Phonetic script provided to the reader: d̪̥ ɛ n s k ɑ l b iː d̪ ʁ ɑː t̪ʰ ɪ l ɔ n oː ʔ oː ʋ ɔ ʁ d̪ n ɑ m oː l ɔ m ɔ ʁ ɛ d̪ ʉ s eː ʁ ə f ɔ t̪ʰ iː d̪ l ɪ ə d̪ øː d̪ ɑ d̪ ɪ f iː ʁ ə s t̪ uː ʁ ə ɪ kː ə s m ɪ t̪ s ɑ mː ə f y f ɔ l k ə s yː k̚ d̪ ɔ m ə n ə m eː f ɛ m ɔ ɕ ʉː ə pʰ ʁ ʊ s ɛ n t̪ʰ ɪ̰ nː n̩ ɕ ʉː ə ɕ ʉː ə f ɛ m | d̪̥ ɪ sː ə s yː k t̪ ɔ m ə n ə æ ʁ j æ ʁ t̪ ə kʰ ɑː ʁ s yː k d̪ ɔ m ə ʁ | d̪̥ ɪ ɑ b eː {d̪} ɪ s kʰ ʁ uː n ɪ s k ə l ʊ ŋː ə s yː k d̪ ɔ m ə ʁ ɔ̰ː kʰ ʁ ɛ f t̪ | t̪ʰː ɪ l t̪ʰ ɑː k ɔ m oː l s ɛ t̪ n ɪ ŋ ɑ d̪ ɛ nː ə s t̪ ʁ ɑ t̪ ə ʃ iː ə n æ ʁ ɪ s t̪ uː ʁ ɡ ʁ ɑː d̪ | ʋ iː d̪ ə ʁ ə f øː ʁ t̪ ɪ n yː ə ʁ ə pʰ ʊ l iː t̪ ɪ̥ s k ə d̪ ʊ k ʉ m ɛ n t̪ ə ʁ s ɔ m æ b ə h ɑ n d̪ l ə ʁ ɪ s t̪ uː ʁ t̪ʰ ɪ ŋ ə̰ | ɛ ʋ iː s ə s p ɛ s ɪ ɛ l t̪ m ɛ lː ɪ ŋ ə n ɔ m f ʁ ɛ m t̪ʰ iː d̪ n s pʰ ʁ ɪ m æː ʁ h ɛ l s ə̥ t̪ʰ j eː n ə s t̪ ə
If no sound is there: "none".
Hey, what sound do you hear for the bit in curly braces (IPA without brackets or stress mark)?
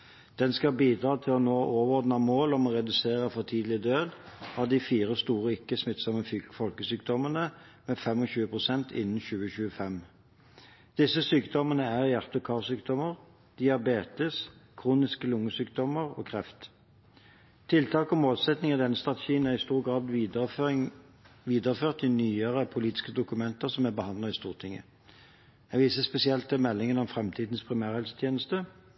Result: t̪